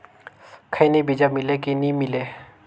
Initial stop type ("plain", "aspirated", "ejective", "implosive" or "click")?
aspirated